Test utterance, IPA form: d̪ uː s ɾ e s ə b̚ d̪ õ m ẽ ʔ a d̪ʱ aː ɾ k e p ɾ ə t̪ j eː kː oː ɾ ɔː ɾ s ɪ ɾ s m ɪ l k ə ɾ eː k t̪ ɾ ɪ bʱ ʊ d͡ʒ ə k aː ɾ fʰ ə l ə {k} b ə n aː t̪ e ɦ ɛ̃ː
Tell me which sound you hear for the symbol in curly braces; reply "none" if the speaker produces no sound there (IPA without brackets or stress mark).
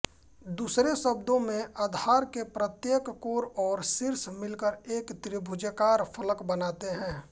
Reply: k